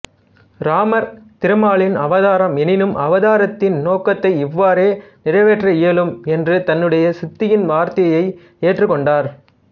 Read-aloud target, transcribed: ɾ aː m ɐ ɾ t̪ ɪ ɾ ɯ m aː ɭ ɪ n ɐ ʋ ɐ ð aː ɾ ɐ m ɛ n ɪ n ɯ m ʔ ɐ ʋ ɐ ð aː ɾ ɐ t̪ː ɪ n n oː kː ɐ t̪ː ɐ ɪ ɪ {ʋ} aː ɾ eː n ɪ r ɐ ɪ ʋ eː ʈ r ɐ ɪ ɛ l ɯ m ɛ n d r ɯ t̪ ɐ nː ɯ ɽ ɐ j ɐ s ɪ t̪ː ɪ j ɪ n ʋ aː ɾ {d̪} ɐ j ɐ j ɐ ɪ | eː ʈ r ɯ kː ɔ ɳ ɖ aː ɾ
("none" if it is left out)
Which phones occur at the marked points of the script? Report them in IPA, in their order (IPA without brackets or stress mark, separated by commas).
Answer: ʋː, t̪